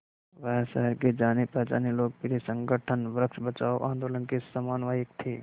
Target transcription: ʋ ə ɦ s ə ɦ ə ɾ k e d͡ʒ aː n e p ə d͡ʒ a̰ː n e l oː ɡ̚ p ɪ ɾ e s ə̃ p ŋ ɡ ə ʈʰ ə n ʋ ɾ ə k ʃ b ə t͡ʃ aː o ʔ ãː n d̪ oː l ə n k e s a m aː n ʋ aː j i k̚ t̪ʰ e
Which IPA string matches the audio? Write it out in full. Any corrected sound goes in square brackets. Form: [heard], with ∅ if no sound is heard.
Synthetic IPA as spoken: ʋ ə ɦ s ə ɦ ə ɾ k e d͡ʒ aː n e p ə d͡ʒ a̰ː n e l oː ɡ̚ p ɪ ɾ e s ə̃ [∅] ŋ ɡ ə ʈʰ ə n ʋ ɾ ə k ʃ b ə t͡ʃ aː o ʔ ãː n d̪ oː l ə n k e s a m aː n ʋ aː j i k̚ t̪ʰ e